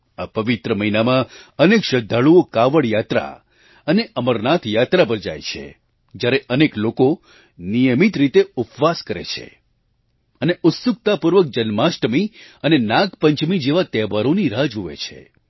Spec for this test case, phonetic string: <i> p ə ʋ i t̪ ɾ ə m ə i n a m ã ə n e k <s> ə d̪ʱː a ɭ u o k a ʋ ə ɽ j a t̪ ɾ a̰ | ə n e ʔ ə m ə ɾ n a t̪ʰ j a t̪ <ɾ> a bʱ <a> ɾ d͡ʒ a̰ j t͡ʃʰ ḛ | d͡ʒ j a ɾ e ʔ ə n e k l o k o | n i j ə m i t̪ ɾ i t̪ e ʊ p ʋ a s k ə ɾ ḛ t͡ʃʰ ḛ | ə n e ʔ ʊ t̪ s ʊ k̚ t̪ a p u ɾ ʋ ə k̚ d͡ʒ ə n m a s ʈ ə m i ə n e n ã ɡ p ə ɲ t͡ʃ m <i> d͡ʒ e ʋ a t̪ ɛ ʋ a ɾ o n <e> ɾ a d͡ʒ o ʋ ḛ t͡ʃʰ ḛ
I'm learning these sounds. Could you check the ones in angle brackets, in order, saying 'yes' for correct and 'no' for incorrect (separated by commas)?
no, no, yes, no, yes, no